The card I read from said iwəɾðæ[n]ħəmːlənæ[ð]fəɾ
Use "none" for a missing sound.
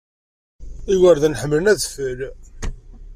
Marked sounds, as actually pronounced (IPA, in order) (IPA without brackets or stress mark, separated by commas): n, ð